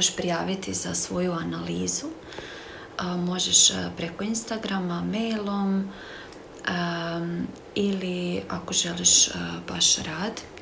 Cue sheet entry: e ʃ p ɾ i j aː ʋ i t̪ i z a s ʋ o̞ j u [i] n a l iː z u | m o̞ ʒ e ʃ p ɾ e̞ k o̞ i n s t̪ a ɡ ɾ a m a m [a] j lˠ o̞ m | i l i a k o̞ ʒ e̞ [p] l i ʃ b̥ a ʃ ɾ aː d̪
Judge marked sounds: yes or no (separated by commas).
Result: no, no, no